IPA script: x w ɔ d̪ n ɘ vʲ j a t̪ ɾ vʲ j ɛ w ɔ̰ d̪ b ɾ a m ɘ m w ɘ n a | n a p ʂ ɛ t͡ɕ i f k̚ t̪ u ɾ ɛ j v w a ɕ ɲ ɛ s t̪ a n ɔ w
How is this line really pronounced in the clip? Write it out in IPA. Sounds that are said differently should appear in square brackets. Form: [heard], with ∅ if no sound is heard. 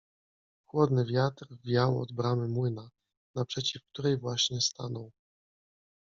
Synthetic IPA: x w ɔ d̪ n ɘ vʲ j a t̪ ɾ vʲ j [a] w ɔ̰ d̪ b ɾ a m ɘ m w ɘ n a | n a p ʂ ɛ t͡ɕ i f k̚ t̪ u ɾ ɛ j v w a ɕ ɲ ɛ s t̪ a n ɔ w

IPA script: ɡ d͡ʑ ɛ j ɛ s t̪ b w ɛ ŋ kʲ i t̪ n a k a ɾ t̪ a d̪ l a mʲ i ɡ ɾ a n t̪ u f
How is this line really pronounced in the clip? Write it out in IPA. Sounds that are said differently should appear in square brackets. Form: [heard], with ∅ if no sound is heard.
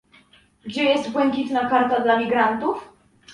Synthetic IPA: ɡ d͡ʑ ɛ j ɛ s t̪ b w ɛ ŋ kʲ i t̪ n a k a ɾ t̪ a d̪ l a mʲ i ɡ ɾ a n t̪ u f

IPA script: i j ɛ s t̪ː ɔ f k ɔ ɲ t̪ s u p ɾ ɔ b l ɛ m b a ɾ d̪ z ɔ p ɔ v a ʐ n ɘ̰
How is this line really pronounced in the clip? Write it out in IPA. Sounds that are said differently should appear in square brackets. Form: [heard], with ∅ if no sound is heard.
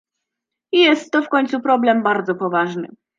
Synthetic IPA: i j ɛ s t̪ː ɔ f k ɔ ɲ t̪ s u p ɾ ɔ b l ɛ m b a ɾ d̪ z ɔ p ɔ v a ʐ n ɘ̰

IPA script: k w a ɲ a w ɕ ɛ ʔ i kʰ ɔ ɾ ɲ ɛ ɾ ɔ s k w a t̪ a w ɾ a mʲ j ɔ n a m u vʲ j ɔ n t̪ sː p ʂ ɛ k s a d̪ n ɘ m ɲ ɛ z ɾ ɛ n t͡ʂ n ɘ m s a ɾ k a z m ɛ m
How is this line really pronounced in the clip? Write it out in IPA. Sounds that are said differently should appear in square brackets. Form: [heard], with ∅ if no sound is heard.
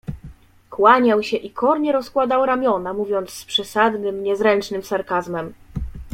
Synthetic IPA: k w a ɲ a w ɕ ɛ ʔ i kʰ ɔ ɾ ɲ ɛ ɾ ɔ s k w a [d̪] a w ɾ a mʲ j ɔ n a m u vʲ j ɔ n t̪ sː p ʂ ɛ [∅] s a d̪ n ɘ m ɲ ɛ z ɾ ɛ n t͡ʂ n ɘ m s a ɾ k a z m ɛ m

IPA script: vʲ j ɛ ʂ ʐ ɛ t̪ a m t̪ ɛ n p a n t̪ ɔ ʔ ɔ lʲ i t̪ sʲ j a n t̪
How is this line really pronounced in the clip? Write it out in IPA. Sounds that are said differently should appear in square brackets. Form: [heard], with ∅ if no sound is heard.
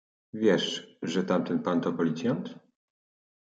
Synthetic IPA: vʲ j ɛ ʂ ʐ ɛ t̪ a m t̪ ɛ n p a n t̪ ɔ [p] ɔ lʲ i t̪ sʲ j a n t̪

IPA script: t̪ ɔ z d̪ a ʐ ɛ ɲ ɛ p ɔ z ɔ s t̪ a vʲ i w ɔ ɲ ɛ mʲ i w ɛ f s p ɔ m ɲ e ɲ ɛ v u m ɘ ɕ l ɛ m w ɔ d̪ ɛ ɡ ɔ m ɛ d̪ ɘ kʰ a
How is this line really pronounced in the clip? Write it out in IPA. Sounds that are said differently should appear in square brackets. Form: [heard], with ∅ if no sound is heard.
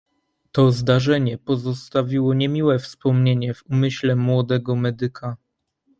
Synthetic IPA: t̪ ɔ z d̪ a ʐ ɛ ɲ ɛ p ɔ z ɔ s t̪ a vʲ i w ɔ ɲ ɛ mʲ i w ɛ f s p ɔ m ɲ e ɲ ɛ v u m ɘ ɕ l ɛ m w ɔ d̪ ɛ ɡ ɔ m ɛ d̪ ɘ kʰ a

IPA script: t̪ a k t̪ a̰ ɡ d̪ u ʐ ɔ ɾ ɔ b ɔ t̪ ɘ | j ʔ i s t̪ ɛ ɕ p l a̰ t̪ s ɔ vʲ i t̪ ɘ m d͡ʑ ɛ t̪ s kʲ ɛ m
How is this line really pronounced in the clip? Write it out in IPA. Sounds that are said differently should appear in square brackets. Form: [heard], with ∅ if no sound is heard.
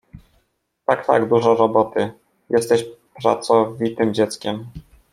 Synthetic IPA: t̪ a k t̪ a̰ ɡ d̪ u ʐ ɔ ɾ ɔ b ɔ t̪ ɘ | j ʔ [ɛ] s t̪ ɛ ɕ p [ɾ] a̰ t̪ s ɔ vʲ i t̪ ɘ m d͡ʑ ɛ t̪ s kʲ ɛ m

